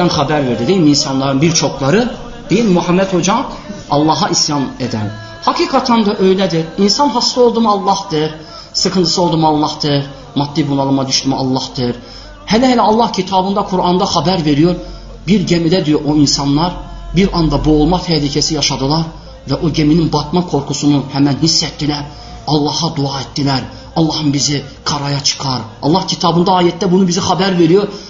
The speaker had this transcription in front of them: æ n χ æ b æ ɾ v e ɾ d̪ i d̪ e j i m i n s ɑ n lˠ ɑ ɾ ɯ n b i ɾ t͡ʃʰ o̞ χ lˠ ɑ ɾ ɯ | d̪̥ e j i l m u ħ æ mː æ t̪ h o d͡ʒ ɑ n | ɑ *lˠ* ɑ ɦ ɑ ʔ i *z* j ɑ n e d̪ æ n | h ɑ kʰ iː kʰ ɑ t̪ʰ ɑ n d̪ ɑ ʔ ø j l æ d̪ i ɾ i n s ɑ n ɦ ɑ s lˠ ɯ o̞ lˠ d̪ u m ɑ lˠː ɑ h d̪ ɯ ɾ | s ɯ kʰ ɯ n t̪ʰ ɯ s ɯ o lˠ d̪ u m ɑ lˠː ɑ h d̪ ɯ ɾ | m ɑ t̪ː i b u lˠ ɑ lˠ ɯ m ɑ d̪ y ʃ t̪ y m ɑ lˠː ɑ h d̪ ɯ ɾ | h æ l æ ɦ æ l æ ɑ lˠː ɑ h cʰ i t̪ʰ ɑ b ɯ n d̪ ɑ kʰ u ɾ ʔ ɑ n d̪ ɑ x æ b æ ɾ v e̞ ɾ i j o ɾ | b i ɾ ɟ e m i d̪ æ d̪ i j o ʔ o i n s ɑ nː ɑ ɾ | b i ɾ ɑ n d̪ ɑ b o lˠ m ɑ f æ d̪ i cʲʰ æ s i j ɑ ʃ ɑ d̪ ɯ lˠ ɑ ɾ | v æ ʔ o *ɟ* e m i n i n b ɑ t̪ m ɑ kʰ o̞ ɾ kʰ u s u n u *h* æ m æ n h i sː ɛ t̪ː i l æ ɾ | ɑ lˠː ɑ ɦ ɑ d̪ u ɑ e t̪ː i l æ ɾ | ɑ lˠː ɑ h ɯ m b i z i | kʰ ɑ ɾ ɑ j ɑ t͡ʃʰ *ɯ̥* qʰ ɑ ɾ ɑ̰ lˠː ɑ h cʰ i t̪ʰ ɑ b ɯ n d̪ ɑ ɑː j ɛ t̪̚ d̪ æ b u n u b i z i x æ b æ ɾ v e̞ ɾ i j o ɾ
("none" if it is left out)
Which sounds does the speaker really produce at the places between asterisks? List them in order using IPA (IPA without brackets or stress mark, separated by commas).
lˠː, s, ɟ, h, ɯ̥